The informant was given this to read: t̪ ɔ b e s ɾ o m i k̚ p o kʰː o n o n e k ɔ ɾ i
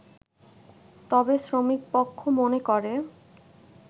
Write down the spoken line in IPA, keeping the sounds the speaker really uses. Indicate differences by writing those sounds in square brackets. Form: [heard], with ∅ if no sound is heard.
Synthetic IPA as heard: t̪ ɔ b e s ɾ o m i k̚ p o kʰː o [m] o n e k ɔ ɾ [e]